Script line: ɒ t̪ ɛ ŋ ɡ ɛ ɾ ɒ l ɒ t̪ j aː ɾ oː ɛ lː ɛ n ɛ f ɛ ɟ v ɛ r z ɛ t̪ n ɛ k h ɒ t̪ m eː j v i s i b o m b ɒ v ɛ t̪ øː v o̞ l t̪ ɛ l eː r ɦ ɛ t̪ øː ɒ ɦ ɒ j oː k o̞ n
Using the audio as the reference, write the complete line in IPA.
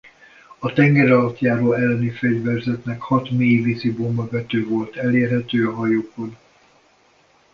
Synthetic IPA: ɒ t̪ ɛ ŋ ɡ ɛ ɾ ɒ l ɒ t̪ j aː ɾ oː ɛ lː ɛ n i f ɛ ɟ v ɛ r z ɛ t̪ n ɛ k h ɒ t̪ m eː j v i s i b o m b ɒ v ɛ t̪ øː v o̞ l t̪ ɛ l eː r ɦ ɛ t̪ øː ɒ ɦ ɒ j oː k o̞ n